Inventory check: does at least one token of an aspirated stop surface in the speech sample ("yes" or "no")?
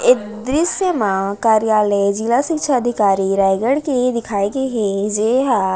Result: yes